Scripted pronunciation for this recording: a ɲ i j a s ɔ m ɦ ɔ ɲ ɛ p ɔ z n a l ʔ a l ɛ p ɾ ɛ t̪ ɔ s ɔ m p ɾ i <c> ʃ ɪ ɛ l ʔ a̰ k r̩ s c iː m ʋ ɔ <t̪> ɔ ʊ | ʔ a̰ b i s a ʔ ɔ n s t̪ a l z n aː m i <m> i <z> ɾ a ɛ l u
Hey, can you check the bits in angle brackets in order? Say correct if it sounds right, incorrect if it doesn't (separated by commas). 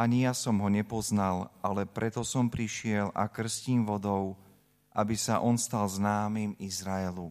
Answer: incorrect, incorrect, correct, correct